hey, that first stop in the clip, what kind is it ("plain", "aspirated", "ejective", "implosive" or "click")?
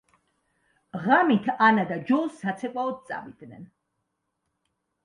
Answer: aspirated